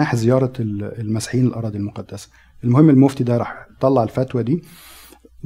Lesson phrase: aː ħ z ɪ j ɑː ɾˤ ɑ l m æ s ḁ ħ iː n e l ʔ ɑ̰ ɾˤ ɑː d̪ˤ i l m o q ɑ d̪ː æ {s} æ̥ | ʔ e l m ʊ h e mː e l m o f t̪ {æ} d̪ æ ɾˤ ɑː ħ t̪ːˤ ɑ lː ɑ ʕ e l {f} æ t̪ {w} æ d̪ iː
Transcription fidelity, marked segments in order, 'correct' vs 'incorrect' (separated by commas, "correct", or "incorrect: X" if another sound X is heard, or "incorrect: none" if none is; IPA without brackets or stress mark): correct, incorrect: i, correct, correct